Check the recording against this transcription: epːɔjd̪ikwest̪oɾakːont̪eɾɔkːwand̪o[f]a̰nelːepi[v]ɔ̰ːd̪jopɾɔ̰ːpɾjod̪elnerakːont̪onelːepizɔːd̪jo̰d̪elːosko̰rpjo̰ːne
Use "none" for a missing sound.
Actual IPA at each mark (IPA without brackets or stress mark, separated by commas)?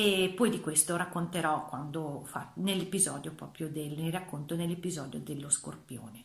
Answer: f, z